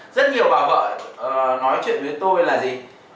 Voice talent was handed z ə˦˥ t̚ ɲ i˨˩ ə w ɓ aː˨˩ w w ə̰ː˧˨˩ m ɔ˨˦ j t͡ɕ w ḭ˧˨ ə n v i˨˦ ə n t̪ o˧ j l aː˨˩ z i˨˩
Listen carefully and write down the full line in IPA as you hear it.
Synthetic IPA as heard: z ə˦˥ t̚ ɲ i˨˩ ə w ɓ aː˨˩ w v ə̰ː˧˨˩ n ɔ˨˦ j t͡ɕ w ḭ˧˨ ə n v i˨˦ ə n t̪ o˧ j l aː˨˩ z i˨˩